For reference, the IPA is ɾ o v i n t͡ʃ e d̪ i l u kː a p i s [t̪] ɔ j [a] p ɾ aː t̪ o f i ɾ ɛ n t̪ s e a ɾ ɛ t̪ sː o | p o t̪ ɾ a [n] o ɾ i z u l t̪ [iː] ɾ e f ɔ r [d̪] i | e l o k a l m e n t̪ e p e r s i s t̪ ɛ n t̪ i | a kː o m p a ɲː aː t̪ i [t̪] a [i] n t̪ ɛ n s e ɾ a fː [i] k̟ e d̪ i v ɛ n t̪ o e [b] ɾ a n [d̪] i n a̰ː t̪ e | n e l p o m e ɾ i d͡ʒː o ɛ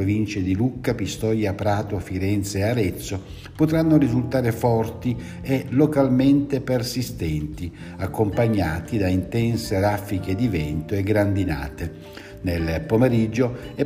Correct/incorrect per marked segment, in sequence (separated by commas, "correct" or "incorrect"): correct, correct, incorrect, incorrect, incorrect, incorrect, correct, correct, incorrect, correct